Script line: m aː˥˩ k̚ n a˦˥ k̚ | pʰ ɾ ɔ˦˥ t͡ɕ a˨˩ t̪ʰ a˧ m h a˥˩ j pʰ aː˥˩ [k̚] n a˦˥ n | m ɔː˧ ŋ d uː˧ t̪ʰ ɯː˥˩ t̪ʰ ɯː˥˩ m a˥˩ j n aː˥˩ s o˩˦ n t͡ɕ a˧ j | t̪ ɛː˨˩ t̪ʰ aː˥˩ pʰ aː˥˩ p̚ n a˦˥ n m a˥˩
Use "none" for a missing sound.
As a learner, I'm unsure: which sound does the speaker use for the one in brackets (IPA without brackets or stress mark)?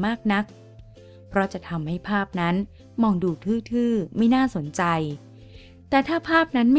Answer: p̚